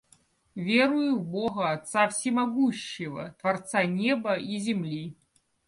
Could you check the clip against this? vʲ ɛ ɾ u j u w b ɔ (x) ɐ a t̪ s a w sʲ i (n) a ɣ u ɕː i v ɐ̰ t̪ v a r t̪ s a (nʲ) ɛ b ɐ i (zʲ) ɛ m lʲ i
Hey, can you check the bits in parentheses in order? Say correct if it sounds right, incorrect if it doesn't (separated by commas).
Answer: incorrect, incorrect, correct, correct